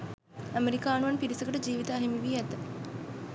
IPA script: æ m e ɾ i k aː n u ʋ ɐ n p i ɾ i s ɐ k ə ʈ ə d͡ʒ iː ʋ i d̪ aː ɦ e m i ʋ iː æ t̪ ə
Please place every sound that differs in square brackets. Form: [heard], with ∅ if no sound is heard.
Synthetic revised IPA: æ m e ɾ i k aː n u ʋ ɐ n p i ɾ i s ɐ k ə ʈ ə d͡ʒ iː ʋ i [t̪] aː ɦ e m i ʋ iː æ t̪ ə